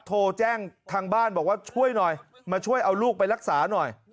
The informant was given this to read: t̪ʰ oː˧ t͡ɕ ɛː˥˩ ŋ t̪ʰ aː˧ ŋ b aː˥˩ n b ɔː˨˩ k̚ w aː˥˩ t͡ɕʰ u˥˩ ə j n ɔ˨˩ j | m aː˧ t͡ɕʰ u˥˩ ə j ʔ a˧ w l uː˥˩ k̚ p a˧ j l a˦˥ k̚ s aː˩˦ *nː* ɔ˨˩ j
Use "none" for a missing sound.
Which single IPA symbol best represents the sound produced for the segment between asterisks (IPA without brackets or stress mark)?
n